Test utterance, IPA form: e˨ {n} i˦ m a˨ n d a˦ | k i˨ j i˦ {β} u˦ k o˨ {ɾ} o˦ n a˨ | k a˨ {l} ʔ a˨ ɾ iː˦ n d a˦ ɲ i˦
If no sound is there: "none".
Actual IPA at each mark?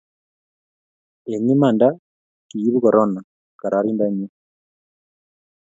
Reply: ɲ, β, ɾ, ɾ

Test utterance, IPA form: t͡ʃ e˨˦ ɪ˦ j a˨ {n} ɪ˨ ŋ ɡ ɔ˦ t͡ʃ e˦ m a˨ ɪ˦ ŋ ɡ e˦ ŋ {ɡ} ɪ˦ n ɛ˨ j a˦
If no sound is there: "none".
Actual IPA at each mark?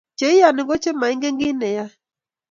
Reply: n, ɡ

